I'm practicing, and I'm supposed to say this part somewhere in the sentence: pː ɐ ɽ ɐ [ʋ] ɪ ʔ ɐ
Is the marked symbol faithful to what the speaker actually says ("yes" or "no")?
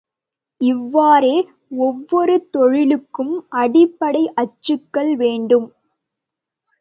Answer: no